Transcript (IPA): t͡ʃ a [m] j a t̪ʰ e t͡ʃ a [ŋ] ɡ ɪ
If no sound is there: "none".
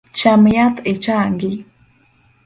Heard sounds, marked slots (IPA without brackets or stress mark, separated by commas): m, ŋ